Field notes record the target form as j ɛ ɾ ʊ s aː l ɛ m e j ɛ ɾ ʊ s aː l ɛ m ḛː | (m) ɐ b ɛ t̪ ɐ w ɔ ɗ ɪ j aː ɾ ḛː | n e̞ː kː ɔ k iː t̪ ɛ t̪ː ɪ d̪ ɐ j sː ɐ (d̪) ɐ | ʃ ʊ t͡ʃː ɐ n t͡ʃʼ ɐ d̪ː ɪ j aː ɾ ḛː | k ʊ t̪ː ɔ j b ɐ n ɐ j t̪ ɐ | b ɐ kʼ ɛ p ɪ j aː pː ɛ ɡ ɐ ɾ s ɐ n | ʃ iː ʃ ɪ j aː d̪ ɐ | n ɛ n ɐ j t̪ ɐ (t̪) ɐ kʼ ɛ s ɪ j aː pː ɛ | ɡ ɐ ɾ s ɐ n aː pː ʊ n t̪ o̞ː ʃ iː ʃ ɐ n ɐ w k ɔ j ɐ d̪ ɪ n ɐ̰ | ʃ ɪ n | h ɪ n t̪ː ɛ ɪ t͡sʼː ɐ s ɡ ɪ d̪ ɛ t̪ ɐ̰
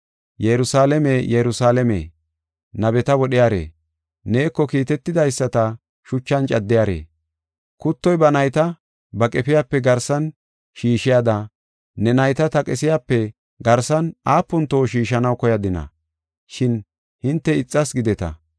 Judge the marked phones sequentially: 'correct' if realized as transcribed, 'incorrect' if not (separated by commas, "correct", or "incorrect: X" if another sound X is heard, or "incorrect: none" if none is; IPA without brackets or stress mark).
incorrect: n, incorrect: t̪, correct